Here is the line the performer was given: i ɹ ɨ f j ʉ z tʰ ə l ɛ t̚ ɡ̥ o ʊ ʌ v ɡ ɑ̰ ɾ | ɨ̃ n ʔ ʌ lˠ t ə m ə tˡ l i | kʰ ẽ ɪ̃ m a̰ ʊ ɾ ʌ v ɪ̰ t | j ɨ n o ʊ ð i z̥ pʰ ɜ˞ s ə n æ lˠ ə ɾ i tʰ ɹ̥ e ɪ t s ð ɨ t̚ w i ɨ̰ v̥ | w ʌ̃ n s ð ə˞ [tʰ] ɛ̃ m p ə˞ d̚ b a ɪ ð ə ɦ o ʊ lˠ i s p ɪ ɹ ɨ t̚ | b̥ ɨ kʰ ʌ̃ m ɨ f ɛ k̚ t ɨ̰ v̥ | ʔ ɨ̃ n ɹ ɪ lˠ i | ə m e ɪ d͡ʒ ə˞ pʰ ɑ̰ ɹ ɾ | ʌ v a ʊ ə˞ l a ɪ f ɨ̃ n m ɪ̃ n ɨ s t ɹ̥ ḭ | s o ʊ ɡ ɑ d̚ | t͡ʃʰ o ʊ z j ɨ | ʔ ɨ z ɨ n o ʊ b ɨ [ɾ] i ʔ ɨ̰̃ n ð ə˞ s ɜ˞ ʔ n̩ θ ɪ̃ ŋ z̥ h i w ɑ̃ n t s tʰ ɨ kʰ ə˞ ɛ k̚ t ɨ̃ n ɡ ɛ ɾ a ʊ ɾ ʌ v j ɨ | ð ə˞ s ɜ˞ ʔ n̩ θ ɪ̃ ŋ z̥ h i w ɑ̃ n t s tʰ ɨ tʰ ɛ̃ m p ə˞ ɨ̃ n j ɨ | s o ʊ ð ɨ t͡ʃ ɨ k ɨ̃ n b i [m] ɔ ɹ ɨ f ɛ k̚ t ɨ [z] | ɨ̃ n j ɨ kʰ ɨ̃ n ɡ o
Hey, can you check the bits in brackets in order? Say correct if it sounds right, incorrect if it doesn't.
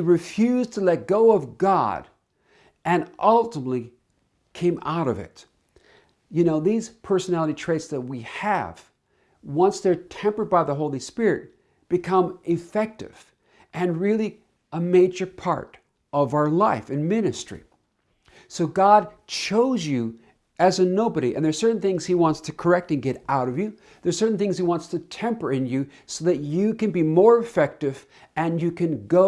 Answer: correct, correct, correct, incorrect: v

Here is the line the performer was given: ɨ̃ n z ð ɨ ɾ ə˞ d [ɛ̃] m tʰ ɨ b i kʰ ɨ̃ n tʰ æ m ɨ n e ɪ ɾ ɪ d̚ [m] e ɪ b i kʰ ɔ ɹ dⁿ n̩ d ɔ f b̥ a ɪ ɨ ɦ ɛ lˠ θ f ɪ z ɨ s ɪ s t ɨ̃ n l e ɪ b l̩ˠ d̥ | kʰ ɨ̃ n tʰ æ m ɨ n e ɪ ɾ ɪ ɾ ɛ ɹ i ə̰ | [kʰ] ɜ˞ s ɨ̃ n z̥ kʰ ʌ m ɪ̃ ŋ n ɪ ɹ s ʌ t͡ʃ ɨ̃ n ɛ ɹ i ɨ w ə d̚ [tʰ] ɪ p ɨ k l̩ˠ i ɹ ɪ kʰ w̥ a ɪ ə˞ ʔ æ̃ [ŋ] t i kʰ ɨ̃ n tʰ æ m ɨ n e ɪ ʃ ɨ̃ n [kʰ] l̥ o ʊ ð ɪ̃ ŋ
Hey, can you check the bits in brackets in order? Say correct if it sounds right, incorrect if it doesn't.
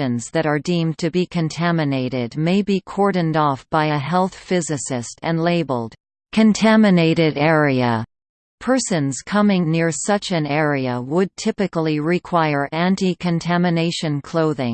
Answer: incorrect: ĩ, correct, incorrect: pʰ, correct, incorrect: n, correct

